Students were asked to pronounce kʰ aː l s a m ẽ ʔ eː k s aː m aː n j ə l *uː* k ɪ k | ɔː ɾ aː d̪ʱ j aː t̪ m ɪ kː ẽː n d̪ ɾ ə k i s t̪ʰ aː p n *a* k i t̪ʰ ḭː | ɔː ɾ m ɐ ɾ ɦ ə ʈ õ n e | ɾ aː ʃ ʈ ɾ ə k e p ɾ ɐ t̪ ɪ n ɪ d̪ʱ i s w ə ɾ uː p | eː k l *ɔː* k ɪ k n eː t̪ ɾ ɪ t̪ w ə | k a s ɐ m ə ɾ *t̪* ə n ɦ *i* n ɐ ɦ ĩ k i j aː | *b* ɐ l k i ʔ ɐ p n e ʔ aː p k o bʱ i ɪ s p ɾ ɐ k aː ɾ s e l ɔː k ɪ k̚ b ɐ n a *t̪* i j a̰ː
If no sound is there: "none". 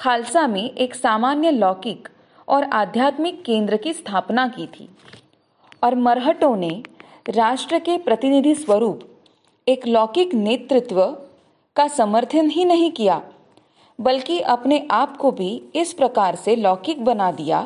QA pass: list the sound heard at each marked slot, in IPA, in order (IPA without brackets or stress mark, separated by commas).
ɔː, a, ɔː, t̪ʰ, i, b, d̪